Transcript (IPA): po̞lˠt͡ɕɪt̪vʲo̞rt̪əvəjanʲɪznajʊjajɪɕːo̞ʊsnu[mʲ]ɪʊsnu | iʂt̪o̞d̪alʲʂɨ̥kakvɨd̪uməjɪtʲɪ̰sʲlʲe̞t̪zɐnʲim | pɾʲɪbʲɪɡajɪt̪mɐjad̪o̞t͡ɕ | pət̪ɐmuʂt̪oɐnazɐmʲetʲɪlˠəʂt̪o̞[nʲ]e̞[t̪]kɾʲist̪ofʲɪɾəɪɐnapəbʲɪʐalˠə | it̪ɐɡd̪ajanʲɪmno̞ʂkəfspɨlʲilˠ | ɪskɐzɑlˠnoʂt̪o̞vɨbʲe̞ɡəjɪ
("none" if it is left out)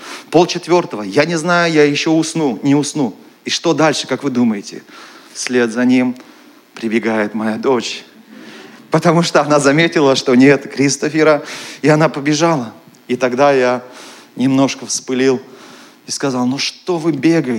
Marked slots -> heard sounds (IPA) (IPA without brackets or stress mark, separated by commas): nʲ, nʲ, t̪